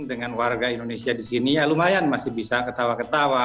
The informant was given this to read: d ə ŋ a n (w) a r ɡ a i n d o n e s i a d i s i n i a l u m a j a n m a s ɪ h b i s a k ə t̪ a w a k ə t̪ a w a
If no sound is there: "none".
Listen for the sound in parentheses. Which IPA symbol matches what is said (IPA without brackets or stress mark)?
w